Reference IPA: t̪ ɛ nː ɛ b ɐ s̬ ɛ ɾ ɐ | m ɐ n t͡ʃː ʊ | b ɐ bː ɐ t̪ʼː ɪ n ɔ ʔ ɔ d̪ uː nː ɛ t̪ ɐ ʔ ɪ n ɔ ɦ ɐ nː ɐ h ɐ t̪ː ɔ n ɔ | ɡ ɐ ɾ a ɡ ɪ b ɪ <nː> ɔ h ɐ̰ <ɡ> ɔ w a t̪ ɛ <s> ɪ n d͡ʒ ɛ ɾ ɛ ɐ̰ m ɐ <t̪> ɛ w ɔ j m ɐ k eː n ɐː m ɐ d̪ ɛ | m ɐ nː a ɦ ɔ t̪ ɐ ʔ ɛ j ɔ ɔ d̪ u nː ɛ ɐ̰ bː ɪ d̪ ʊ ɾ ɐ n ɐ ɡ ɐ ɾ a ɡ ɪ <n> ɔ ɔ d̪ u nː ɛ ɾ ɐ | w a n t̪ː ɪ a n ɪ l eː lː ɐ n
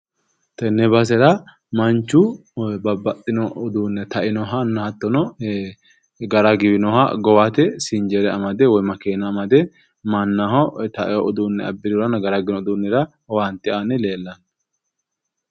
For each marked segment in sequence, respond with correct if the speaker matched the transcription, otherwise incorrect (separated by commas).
incorrect, correct, correct, incorrect, correct